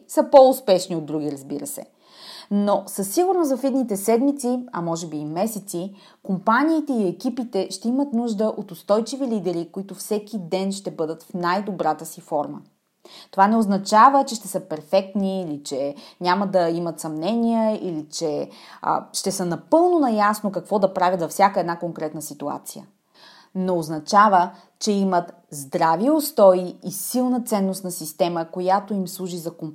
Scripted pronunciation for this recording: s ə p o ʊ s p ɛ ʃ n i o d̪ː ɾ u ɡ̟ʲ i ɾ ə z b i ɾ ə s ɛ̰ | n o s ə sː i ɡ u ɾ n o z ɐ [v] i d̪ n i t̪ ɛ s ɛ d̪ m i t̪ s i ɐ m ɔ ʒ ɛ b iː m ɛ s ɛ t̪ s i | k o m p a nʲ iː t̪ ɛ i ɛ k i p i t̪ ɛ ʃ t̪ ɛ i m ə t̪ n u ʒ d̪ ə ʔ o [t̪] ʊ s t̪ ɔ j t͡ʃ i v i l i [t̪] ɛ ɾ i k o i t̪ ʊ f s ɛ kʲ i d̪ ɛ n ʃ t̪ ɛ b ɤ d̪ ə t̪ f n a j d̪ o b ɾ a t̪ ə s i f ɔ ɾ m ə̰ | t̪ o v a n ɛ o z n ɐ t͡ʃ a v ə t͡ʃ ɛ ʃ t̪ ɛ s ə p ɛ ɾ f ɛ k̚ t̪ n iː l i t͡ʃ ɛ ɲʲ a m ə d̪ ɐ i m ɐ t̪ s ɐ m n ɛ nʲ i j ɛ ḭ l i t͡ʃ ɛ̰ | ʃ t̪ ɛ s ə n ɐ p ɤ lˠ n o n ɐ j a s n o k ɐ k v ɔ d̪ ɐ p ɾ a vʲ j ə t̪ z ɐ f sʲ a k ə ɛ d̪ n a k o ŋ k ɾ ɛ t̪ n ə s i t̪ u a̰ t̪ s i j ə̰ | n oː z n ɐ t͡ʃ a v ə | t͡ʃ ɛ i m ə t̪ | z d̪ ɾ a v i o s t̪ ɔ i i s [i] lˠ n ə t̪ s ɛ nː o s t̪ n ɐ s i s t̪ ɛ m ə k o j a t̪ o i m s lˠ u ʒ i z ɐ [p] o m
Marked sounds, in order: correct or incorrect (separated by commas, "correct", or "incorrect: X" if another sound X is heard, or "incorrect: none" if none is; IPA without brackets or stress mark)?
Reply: incorrect: f, correct, incorrect: d̪, correct, incorrect: k